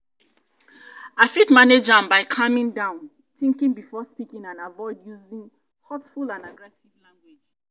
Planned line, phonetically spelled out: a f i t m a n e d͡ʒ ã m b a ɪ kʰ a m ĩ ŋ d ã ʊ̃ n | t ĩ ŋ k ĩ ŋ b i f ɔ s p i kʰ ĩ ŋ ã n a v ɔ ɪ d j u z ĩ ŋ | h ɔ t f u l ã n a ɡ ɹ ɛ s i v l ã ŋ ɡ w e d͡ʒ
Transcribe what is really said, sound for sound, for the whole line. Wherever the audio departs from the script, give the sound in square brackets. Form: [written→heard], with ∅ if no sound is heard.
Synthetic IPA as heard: a f i t m a n e d͡ʒ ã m b a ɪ kʰ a m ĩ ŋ d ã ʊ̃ n | t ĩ ŋ k ĩ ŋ b i f ɔ s p i [kʰ→k] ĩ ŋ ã n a v ɔ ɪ d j u z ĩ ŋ | h ɔ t f u l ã n a ɡ ɹ ɛ s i v l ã ŋ ɡ w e d͡ʒ

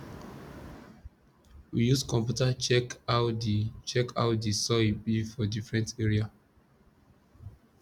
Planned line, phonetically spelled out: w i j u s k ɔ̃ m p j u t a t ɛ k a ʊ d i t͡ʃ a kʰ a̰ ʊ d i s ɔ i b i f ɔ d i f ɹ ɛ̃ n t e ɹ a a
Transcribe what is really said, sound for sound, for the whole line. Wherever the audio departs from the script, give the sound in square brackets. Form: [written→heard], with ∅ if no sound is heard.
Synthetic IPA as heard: w i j u s k ɔ̃ m p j u t a [t→t͡ʃ] ɛ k a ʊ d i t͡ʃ [a→ɛ] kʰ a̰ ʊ d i s ɔ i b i f ɔ d i f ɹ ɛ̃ n t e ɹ [a→i] a

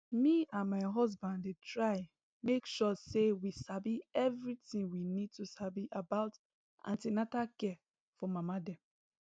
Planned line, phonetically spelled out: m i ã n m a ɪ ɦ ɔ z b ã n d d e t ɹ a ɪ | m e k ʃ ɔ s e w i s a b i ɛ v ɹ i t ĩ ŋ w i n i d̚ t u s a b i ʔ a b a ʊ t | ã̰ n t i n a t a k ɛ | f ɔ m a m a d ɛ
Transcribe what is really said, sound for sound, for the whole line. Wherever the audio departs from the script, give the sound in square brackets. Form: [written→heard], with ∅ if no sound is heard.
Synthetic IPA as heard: m i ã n m a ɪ ɦ ɔ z b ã n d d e t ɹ a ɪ | m e k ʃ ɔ s e w i s a b i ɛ v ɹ i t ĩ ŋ w i n i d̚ t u s a b i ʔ a b a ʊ t | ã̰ n t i n a t a k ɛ | f ɔ m a m a d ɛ

